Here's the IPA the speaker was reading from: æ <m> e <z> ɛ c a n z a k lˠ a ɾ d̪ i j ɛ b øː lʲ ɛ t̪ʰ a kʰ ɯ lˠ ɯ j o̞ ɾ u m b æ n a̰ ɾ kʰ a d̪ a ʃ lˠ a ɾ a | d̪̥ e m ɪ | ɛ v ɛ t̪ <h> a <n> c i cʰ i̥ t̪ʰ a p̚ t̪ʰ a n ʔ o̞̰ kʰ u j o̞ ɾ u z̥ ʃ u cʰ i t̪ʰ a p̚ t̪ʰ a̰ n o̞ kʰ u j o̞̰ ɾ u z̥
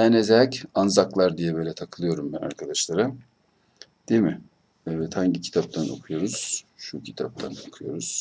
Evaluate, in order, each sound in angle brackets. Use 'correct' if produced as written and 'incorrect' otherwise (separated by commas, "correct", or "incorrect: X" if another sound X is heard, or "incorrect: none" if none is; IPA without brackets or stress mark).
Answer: incorrect: n, correct, correct, incorrect: ɲ